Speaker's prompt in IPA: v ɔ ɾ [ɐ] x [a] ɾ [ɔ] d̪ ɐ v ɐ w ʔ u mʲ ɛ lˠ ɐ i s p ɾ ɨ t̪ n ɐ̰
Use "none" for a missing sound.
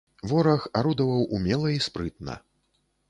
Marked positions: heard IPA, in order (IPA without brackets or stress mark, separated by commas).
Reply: ɐ, a, u